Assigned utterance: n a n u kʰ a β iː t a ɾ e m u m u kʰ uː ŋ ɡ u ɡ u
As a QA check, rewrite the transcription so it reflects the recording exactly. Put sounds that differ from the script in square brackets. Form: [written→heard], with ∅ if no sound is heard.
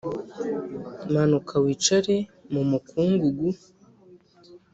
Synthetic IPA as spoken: [n→m] a n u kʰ a [β→w] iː [t→t͡ʃ] a ɾ e m u m u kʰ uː ŋ ɡ u ɡ u